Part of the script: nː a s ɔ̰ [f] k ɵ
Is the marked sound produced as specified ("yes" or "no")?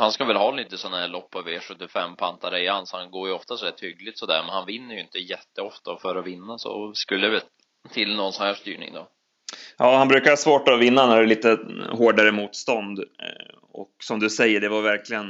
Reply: no